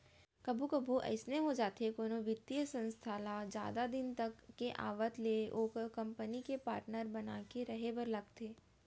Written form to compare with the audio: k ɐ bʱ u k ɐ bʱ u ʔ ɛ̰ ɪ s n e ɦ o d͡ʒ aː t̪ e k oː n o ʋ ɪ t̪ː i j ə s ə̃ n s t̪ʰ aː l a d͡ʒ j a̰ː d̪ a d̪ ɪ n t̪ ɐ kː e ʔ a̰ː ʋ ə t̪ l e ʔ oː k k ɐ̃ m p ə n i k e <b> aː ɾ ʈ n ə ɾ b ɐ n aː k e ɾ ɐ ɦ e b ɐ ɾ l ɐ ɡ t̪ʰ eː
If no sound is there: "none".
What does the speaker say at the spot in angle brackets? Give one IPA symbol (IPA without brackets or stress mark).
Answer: p